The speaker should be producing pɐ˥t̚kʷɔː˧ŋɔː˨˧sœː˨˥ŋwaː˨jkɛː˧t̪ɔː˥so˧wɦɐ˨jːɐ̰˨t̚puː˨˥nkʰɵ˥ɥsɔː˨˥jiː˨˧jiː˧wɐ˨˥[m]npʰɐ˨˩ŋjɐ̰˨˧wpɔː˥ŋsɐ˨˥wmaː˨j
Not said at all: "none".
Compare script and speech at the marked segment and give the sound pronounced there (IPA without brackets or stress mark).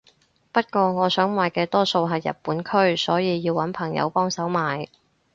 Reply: none